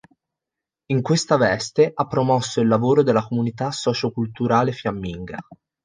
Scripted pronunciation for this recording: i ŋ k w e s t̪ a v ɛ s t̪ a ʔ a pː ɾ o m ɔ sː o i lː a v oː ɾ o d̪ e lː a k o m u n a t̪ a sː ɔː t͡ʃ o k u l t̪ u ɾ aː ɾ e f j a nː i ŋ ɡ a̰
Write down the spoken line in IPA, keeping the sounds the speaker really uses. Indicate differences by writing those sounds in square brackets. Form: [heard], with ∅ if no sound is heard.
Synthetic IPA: i ŋ k w e s t̪ a v ɛ s t̪ [e] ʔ a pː ɾ o m ɔ sː o i lː a v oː ɾ o d̪ e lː a k o m u n [i] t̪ a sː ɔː t͡ʃ o k u l t̪ u ɾ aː [l] e f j a [mː] i ŋ ɡ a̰